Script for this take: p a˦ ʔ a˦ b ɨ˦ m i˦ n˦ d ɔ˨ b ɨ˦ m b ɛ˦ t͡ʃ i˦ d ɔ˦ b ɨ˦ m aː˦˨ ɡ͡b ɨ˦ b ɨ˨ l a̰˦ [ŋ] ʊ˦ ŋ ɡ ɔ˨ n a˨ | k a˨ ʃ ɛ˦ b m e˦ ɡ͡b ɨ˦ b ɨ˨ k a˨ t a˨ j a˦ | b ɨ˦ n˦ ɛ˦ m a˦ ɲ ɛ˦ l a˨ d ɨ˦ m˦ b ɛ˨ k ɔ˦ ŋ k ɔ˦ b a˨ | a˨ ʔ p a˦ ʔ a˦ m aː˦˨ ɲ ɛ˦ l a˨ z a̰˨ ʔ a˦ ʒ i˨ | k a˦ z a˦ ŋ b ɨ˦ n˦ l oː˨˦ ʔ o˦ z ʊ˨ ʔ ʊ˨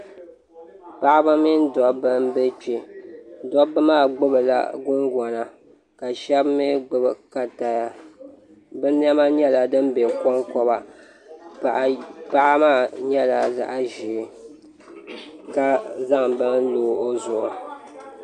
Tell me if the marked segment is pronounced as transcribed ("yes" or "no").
no